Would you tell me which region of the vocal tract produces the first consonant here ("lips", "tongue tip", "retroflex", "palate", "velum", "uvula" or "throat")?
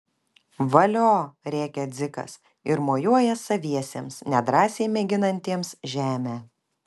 lips